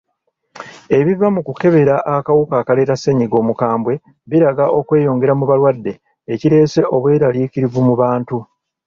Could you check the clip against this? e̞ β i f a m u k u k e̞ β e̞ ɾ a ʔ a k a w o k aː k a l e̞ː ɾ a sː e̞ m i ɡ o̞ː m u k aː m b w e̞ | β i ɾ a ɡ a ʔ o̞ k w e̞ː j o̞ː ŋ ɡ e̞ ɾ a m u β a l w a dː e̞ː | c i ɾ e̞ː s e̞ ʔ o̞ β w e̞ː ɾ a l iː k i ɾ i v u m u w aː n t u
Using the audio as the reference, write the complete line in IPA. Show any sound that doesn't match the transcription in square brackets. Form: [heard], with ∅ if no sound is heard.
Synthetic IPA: e̞ β i [v] a m u k u k e̞ β e̞ ɾ a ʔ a k a w [u] k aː k a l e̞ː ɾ a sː e̞ [ɲ] i ɡ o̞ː m u k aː m b w e̞ | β i ɾ a ɡ a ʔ o̞ k w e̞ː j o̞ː ŋ ɡ e̞ ɾ a m u β a l w a dː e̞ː | c i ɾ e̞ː s e̞ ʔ o̞ β w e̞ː ɾ a l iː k i ɾ i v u m u [β] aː n t u